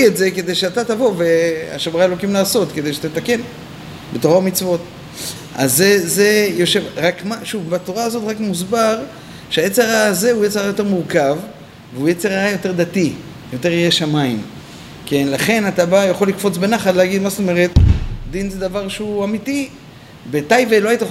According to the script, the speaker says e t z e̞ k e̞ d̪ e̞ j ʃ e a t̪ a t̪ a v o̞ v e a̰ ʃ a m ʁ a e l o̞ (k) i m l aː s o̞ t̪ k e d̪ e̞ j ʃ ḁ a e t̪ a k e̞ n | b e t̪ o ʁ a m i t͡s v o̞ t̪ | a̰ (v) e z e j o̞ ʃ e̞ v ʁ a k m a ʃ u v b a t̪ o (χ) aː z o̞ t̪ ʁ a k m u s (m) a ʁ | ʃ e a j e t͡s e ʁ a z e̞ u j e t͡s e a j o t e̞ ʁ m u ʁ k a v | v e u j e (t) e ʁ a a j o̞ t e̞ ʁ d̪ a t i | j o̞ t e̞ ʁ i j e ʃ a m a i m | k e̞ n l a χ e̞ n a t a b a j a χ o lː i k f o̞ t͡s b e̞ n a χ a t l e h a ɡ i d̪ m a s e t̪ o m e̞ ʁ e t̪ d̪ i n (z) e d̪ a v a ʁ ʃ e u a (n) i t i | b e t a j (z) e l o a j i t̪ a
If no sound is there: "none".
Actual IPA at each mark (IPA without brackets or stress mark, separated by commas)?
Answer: k, z, ʁ, b, t͡s, z, m, v